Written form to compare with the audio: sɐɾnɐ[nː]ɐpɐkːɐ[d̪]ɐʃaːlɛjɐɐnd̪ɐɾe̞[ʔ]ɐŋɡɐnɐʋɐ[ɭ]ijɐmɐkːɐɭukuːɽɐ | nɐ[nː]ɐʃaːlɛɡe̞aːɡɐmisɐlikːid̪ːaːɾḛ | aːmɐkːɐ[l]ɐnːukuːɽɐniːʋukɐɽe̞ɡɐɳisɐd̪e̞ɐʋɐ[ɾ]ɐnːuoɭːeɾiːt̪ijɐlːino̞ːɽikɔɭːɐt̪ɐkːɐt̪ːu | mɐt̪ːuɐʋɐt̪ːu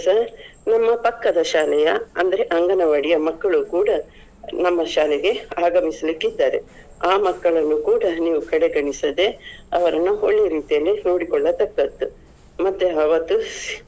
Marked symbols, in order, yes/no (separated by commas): no, yes, yes, no, no, no, yes